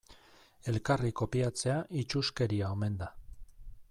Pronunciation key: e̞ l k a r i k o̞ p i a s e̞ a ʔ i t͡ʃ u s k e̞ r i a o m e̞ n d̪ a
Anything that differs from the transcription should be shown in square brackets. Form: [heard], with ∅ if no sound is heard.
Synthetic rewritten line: e̞ l k a r i k o̞ p i a [t͡s] e̞ a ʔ i t͡ʃ u s k e̞ [ɾ] i a o m e̞ n d̪ a